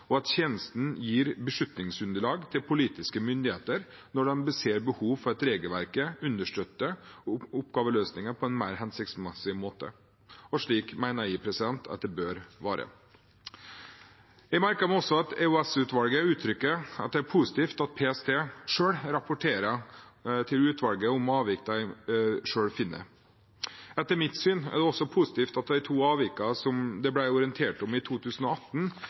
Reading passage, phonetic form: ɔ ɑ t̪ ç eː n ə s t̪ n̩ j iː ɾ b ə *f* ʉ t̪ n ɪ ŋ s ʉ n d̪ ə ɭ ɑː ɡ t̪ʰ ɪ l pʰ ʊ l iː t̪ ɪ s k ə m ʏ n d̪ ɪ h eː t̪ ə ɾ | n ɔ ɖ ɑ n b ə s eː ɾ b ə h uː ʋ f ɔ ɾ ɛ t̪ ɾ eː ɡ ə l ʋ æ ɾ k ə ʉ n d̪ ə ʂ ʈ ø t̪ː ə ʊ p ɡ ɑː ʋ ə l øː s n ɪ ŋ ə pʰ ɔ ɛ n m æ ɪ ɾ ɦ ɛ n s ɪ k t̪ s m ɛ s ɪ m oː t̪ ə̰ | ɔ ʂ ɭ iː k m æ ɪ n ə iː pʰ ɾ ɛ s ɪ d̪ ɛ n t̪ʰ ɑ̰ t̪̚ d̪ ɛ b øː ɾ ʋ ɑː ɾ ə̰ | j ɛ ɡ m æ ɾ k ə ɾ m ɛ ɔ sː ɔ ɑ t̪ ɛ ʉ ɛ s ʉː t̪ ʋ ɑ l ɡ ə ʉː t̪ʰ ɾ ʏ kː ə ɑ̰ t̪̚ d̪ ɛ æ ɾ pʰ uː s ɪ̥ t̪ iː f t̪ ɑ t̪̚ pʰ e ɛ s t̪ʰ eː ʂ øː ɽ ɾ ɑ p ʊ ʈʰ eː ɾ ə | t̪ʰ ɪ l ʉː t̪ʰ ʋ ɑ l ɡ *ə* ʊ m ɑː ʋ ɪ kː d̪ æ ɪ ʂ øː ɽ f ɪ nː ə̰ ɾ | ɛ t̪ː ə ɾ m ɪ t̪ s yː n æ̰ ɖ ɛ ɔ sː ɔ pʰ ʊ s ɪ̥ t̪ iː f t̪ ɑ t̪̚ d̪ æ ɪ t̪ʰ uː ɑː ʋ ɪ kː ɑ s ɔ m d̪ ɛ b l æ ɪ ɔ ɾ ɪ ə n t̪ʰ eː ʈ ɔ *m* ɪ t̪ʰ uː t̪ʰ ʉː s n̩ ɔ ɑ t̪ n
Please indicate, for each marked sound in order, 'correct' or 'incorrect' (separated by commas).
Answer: incorrect, correct, correct